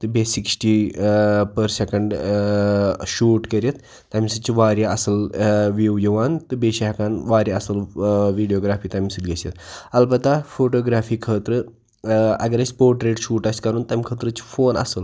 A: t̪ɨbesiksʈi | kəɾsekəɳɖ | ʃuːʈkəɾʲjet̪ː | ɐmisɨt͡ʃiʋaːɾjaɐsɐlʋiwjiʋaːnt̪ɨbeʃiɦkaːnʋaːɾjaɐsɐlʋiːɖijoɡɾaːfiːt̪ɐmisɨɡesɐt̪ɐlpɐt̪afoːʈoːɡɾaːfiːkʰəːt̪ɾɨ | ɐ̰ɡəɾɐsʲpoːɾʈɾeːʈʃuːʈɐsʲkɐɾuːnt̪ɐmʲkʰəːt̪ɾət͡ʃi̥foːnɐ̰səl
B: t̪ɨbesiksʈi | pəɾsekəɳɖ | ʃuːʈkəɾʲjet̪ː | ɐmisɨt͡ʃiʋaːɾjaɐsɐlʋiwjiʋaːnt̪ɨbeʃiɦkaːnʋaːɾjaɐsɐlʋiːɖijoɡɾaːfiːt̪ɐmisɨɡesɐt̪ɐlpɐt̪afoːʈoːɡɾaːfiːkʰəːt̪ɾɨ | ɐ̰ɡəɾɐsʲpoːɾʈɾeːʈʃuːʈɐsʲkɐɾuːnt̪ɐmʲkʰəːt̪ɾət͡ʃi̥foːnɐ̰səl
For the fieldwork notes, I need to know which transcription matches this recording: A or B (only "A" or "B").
B